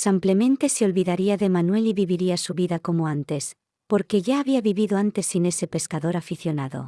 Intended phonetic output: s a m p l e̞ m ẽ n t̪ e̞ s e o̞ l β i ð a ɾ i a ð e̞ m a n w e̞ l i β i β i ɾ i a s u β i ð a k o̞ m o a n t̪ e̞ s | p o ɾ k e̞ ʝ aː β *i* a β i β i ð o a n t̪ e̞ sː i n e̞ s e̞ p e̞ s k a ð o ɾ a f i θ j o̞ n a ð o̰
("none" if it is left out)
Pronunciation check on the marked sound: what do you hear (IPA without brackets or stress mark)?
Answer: i